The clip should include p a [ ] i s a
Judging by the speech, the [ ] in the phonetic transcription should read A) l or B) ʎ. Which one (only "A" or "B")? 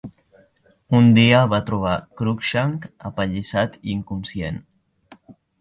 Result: B